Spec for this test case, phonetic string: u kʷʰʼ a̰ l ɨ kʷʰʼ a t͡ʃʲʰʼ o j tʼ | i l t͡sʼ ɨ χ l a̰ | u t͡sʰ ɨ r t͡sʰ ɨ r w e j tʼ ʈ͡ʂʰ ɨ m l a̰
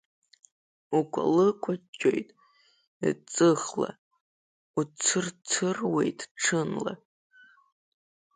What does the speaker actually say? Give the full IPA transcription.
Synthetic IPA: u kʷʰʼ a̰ l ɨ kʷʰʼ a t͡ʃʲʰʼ o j tʼ | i t͡sʼ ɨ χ l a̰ | u t͡sʰ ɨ r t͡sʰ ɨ r w e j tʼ ʈ͡ʂʰ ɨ n l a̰

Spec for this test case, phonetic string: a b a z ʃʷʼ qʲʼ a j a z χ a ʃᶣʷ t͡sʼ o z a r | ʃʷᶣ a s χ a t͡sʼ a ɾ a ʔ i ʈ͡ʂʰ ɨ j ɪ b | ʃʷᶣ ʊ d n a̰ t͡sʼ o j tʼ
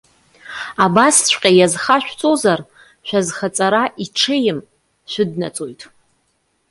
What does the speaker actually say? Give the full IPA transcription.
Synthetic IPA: a b a s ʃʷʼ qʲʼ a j a z χ a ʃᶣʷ t͡sʼ o z a r | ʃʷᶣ a z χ a t͡sʼ a ɾ a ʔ i ʈ͡ʂʰ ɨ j ɪ m | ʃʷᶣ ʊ d n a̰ t͡sʼ o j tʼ

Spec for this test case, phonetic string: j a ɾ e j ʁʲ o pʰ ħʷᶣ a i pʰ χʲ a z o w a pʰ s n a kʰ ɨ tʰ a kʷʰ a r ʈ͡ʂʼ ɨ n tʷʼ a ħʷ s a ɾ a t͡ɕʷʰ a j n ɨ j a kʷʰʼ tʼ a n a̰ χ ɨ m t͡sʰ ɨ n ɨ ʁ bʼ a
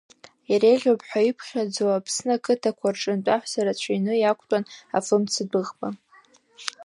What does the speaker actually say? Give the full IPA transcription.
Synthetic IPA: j a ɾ e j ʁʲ o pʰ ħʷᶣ a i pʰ χʲ a d͡z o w a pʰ s n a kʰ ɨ tʰ a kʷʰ a r ʈ͡ʂʼ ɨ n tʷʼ a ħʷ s a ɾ a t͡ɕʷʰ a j n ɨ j a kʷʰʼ tʼ a n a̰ f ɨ m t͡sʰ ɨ d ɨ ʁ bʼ a

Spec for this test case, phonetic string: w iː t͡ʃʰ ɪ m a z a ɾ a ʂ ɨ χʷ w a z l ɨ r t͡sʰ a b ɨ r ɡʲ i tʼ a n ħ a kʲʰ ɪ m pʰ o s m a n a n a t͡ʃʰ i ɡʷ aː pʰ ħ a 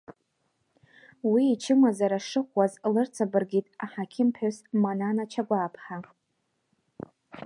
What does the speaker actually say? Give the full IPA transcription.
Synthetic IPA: w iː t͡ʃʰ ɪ m a z a ɾ a ʂ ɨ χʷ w a z l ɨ r t͡sʰ a b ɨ r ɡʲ i tʼ a ħ a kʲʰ ɪ m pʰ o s m a n a n a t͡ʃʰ a ɡʷ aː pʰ ħ a

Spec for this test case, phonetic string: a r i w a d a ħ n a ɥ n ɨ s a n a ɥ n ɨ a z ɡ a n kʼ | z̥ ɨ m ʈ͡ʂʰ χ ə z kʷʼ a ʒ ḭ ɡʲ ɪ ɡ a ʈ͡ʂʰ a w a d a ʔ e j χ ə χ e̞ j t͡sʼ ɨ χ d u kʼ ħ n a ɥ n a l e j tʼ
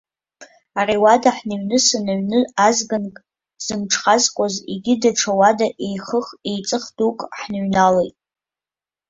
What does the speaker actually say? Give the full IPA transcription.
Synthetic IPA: a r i w a d a ħ n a ɥ n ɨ s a n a ɥ n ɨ a z ɡ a n kʼ | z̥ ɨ m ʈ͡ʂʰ χ a z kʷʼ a z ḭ ɡʲ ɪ d a ʈ͡ʂʰ a w a d a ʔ e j χ ə χ e̞ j t͡sʼ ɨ χ d u kʼ ħ n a ɥ n a l e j tʼ

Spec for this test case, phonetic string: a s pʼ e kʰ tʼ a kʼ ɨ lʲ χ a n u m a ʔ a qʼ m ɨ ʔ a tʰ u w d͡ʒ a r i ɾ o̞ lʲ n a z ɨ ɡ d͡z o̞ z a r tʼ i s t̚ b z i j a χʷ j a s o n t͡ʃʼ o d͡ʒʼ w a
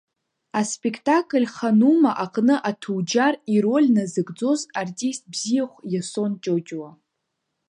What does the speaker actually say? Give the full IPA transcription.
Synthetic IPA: a s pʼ e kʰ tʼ a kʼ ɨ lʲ χ a n u m a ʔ a qʼ n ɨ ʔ a tʰ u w d͡ʒ a r i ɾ o̞ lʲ n a z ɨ ɡ d͡z o̞ z a r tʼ i s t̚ b z i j a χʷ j a s o n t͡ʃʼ o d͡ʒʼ w a

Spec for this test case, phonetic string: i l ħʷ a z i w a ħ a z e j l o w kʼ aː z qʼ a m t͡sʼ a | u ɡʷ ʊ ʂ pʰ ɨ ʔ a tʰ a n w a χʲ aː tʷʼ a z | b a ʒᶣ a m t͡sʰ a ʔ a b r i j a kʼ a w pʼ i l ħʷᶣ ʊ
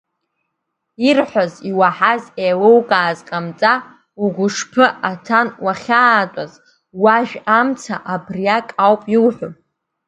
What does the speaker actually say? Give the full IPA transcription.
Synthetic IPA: i r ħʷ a z i w a ħ a z e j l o w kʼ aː z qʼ a m t͡sʼ a | u ɡʷ ʊ ʂ pʰ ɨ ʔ a tʰ a n w a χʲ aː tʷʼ a z | w a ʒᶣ a m t͡sʰ a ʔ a b r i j a kʼ a w pʼ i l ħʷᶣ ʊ

